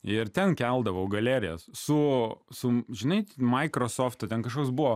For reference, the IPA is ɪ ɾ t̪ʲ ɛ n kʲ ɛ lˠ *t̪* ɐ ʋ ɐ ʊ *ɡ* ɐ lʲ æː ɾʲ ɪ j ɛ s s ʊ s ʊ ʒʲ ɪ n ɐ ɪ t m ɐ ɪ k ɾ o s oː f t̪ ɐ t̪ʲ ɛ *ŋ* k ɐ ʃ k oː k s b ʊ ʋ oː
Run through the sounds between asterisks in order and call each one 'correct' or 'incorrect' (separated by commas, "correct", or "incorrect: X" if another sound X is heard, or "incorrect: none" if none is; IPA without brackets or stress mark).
incorrect: d̪, correct, incorrect: n